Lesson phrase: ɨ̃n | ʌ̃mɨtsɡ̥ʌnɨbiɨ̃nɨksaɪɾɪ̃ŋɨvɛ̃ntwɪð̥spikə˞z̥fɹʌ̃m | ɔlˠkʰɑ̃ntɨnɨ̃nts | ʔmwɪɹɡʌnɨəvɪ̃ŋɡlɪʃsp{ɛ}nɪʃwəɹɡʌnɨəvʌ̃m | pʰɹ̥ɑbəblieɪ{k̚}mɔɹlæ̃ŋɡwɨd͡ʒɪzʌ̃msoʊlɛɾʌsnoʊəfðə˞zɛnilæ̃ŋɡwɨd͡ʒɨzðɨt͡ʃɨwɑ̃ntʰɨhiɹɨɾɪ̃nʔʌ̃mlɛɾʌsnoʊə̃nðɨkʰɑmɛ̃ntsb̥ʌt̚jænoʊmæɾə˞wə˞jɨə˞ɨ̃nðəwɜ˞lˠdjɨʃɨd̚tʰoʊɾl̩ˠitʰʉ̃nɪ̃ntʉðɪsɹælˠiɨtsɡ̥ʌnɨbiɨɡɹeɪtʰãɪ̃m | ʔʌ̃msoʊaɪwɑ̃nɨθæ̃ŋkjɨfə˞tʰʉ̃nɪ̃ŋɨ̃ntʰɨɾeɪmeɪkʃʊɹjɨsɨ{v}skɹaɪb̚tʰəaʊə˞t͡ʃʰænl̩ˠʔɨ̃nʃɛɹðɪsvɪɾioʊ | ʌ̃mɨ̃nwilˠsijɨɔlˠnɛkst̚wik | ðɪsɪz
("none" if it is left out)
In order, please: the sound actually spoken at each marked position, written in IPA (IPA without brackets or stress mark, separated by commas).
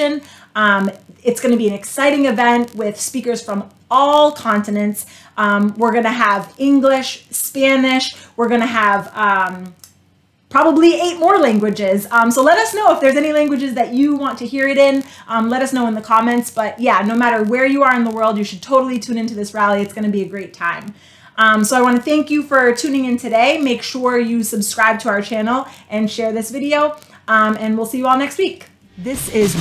æ, t̚, b